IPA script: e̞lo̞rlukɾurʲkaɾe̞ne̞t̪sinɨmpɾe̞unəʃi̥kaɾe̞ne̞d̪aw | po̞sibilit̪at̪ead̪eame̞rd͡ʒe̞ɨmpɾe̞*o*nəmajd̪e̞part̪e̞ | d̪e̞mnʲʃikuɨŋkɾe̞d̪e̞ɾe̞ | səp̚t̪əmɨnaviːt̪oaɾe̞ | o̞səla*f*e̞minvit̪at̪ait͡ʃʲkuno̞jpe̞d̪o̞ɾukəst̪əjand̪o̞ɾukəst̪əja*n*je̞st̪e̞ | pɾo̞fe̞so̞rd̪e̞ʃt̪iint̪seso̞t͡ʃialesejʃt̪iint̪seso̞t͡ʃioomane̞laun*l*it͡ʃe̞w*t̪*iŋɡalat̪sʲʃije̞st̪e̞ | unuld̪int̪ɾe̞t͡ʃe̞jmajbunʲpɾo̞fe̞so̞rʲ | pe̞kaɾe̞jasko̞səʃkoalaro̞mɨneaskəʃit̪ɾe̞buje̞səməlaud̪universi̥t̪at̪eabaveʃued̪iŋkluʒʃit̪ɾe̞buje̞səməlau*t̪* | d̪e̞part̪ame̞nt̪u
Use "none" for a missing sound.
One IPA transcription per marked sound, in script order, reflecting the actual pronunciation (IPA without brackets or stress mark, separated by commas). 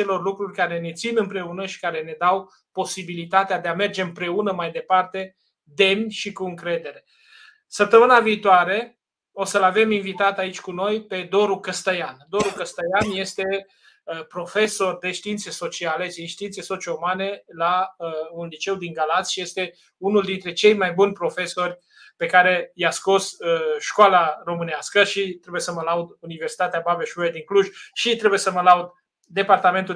u, v, n, l, d̪, d̪